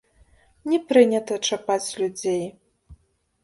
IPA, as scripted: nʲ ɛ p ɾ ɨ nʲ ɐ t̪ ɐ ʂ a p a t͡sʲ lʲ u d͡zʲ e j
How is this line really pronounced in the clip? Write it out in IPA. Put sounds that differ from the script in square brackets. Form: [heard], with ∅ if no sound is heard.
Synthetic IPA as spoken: nʲ ɛ p ɾ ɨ nʲ ɐ t̪ ɐ [t͡ʂ] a p a t͡sʲ lʲ u d͡zʲ e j